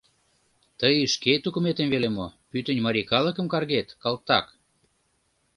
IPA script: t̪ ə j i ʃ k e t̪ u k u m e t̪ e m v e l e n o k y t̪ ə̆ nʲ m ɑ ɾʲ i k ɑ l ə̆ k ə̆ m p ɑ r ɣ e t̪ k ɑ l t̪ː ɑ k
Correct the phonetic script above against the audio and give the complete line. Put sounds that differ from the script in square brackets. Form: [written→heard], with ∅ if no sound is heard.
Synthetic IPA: t̪ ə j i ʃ k e t̪ u k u m e t̪ e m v e l e [n→m] o [k→p] y t̪ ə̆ nʲ m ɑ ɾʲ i k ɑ l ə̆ k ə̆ m [p→k] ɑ r ɣ e t̪ k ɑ l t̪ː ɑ k